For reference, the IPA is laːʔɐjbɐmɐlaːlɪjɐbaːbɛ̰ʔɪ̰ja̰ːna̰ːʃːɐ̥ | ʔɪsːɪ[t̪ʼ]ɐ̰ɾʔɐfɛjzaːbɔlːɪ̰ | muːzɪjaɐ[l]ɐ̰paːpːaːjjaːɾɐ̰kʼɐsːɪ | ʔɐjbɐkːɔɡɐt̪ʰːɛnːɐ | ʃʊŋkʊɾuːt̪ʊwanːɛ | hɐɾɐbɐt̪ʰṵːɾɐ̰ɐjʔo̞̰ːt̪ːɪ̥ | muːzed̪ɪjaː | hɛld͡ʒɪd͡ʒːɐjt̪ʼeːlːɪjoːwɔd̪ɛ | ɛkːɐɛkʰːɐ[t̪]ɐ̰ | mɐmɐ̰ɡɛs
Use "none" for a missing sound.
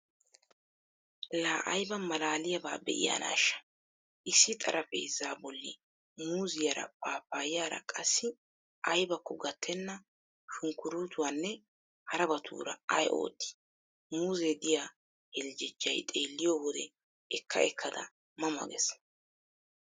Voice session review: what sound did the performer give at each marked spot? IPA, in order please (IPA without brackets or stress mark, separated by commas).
t̪ʼ, ɾ, d̪